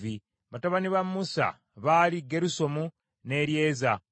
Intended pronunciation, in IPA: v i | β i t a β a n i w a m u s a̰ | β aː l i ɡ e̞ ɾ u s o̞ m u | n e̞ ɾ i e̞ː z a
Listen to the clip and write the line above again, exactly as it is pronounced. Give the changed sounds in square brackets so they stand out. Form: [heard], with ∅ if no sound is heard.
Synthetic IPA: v i | β [a] t a β a n i [β] a m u s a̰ | β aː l i ɡ e̞ ɾ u s o̞ m u | n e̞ ɾ [j] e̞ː z a

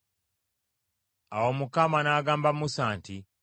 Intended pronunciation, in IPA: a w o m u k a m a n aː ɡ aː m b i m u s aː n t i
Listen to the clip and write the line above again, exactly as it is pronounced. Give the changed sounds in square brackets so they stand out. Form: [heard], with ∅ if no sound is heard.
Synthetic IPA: a w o m u k a m a n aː ɡ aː m b [a] m u s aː n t i

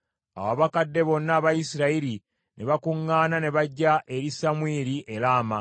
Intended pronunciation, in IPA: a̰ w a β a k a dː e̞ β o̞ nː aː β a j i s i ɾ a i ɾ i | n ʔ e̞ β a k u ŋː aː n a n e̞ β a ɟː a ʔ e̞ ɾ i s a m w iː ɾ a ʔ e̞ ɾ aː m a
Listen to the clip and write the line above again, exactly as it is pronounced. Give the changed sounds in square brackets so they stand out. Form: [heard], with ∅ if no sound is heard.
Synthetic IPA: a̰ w a β a k a dː e̞ β o̞ nː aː β a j i s i ɾ a i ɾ i | n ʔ e̞ β a k u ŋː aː n a n e̞ β a ɟː a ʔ e̞ ɾ i s a m w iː ɾ [i] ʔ e̞ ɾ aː m a

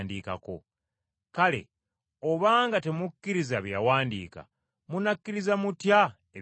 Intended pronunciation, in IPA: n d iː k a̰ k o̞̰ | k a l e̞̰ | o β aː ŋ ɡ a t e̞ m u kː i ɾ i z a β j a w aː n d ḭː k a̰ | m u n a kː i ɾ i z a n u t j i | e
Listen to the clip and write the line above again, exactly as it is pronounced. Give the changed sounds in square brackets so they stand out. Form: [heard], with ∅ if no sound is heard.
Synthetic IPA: n d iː k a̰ k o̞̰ | k a l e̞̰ | o β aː ŋ ɡ a t e̞ m u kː i ɾ i z a β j a w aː n d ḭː k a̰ | m u n a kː i ɾ i z a [m] u t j [a] | e

